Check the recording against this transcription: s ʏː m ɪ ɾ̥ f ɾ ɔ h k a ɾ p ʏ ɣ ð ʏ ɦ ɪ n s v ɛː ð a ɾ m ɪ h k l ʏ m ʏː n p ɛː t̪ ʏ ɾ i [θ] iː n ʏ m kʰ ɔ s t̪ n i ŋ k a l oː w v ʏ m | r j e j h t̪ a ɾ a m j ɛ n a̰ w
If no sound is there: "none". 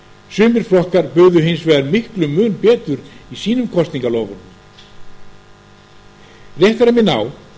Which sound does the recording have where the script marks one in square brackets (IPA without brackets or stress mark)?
s